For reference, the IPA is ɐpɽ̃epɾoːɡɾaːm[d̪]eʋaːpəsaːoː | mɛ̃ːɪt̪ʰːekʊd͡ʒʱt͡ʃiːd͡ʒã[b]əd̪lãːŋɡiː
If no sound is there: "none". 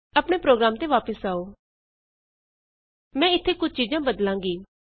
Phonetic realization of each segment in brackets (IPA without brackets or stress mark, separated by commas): t̪, b